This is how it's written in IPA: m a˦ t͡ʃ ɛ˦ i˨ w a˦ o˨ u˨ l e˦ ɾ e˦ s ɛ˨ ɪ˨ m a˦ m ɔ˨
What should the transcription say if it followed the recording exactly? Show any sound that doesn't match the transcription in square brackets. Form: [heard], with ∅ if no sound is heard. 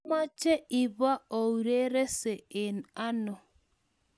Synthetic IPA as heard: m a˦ t͡ʃ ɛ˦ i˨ [β] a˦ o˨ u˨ [ɾ] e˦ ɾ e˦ s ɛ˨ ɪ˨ [n] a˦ [n] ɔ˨

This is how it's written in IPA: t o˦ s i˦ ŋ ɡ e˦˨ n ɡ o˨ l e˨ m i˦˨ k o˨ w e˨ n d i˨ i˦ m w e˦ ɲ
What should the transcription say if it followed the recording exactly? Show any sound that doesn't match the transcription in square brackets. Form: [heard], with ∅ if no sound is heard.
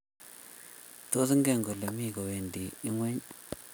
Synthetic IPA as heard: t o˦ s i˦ ŋ ɡ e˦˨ [ŋ] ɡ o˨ l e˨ m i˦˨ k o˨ w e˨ n d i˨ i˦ [ŋ] w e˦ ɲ

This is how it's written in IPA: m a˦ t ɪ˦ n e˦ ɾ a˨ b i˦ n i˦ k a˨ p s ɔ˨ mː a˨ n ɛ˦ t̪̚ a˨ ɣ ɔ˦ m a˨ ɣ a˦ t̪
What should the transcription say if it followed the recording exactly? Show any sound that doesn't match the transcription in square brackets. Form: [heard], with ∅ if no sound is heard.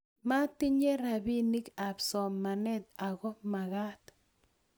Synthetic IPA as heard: m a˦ t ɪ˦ [ɲ] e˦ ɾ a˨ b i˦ n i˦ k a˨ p s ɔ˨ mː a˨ n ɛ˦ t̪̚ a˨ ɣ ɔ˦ m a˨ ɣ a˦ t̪

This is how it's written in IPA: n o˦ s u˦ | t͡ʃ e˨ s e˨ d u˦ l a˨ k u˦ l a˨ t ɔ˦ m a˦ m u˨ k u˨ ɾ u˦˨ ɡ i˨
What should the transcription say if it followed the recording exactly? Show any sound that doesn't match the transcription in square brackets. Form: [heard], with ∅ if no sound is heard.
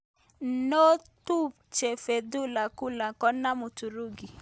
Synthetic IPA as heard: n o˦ [t] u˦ | t͡ʃ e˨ [f] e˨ d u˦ l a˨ k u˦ l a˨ [k] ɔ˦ [n] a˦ m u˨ [t] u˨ ɾ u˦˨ ɡ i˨

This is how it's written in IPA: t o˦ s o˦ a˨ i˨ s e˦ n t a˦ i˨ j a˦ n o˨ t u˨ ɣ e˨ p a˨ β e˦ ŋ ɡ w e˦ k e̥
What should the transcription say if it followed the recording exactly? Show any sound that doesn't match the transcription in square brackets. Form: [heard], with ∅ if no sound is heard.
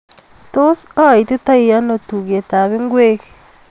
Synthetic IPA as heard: t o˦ s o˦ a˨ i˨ [t] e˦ [∅] t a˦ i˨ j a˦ n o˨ t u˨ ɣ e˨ [t] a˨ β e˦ ŋ ɡ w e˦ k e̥

